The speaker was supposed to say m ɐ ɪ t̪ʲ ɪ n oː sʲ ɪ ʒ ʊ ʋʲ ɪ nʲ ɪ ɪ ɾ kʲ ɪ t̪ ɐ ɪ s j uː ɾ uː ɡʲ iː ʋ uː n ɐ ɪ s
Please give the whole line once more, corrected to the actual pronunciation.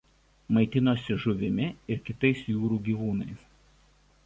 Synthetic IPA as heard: m ɐ ɪ t̪ʲ ɪ n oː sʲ ɪ ʒ ʊ ʋʲ ɪ mʲ ɪ ɪ ɾ kʲ ɪ t̪ ɐ ɪ s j uː ɾ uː ɡʲ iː ʋ uː n ɐ ɪ s

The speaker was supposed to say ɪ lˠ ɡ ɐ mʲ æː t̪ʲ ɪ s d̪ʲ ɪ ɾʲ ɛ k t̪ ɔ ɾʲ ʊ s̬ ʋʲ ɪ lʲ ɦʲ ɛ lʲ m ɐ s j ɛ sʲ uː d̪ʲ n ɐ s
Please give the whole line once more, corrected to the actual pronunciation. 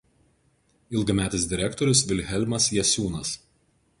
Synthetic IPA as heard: ɪ lˠ ɡ ɐ mʲ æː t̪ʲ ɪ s d̪ʲ ɪ ɾʲ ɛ k t̪ ɔ ɾʲ ʊ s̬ ʋʲ ɪ lʲ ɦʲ ɛ lʲ m ɐ s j ɛ sʲ uː n ɐ s

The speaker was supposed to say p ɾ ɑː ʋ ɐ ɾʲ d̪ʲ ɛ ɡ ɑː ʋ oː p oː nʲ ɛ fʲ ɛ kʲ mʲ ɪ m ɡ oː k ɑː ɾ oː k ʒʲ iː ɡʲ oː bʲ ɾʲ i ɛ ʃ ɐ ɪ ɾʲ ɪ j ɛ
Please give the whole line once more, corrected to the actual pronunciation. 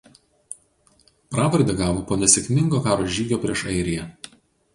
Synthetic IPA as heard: p ɾ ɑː ʋ ɐ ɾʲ d̪ʲ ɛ ɡ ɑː ʋ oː p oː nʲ ɛ sʲ ɛ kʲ mʲ ɪ ŋ ɡ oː k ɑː ɾ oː ʒʲ iː ɡʲ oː pʲ ɾʲ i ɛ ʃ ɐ ɪ ɾʲ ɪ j ɛ

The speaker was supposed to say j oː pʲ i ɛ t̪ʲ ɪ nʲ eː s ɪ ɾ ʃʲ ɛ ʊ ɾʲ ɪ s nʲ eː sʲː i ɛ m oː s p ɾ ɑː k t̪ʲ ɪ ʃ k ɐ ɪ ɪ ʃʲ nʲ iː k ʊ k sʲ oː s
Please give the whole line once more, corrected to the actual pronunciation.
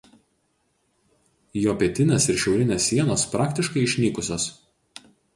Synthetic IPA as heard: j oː pʲ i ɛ t̪ʲ ɪ nʲ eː s ɪ ɾ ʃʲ ɛ ʊ ɾʲ ɪ nʲ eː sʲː i ɛ n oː s p ɾ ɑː k t̪ʲ ɪ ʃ k ɐ ɪ ɪ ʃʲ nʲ iː k ʊ sʲ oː s

